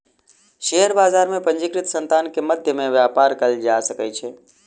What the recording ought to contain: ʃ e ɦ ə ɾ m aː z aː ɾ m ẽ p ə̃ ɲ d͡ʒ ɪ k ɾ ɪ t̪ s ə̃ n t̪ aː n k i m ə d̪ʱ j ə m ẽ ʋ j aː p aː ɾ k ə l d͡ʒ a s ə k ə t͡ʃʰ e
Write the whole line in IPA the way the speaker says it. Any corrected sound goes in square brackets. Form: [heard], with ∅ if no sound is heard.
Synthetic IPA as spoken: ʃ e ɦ ə ɾ [b] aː z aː ɾ m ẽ p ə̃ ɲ d͡ʒ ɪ k ɾ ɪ t̪ s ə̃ n t̪ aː n k [e] m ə d̪ʱ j ə m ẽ ʋ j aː p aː ɾ k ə l d͡ʒ a s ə k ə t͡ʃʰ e